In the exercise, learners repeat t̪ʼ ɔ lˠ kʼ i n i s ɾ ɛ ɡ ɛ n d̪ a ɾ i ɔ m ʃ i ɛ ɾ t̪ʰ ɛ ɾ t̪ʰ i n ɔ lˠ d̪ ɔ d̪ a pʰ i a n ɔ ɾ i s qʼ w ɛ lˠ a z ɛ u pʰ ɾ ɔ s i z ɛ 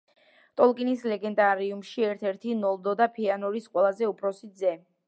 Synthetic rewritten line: t̪ʼ ɔ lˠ kʼ i n i s l ɛ ɡ ɛ n d̪ a ɾ i u m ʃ i ɛ ɾ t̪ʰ ɛ ɾ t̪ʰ i n ɔ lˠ d̪ ɔ d̪ a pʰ i a n ɔ ɾ i s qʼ w ɛ lˠ a z ɛ u pʰ ɾ ɔ s i z ɛ